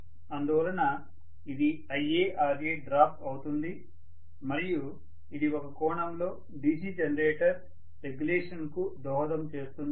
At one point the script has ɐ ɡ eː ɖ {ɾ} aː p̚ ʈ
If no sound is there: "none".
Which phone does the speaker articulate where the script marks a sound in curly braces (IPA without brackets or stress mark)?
ɾ